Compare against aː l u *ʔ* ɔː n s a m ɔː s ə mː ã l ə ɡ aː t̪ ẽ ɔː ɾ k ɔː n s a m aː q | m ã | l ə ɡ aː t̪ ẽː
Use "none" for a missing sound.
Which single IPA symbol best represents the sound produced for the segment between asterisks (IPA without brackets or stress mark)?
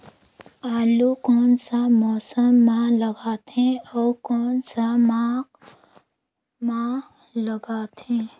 k